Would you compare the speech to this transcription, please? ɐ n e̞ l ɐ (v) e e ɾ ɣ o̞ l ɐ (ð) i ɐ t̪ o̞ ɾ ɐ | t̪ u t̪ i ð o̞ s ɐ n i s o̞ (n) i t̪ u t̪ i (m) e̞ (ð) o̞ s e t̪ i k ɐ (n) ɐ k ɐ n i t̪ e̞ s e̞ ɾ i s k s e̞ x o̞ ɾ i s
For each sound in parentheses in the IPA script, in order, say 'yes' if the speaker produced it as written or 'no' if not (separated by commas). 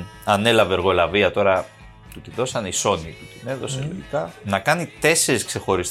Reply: yes, no, yes, no, yes, yes